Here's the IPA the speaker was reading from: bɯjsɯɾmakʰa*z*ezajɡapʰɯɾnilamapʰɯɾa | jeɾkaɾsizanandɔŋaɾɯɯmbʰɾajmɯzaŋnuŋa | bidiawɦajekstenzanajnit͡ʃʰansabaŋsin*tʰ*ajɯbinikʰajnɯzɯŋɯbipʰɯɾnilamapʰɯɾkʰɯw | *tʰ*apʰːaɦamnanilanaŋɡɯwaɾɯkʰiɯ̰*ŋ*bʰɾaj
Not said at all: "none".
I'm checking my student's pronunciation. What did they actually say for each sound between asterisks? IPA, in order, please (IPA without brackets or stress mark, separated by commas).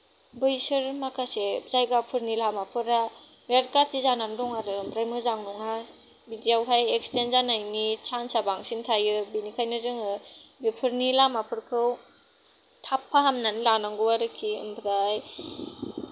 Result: s, tʰ, tʰ, m